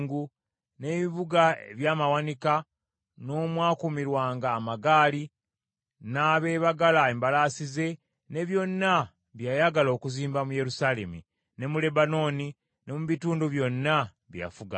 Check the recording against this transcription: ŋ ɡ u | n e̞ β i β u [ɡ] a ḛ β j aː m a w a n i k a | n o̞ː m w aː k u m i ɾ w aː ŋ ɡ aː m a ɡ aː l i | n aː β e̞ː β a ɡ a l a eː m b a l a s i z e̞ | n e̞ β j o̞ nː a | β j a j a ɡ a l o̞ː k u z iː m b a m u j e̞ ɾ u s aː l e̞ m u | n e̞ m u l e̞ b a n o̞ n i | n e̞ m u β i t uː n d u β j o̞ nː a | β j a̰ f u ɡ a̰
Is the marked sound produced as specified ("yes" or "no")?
yes